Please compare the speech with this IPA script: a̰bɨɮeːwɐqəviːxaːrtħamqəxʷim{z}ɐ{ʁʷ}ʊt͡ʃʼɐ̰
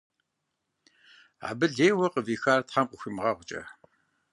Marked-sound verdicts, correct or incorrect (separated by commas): incorrect, correct